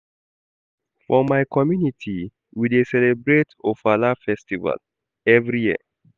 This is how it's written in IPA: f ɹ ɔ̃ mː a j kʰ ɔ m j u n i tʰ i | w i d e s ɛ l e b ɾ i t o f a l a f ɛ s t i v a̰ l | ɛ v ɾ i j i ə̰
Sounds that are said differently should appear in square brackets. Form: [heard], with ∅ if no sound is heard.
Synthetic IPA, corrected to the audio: f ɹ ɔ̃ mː a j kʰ ɔ m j u n i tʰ i | w i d e s ɛ l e b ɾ [e] t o f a l a f ɛ s t i v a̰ l | ɛ v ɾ i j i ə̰